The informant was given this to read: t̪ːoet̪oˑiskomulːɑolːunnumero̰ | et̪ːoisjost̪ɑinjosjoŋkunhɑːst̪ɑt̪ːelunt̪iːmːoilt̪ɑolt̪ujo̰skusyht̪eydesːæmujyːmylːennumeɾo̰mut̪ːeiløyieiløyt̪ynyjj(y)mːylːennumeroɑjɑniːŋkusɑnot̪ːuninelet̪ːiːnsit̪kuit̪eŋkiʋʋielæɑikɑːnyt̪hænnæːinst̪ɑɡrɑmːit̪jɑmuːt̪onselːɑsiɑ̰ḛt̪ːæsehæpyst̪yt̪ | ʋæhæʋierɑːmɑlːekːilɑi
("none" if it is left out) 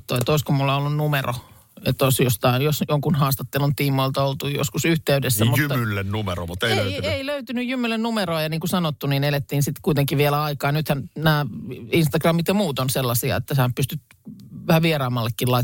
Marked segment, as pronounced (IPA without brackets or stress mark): y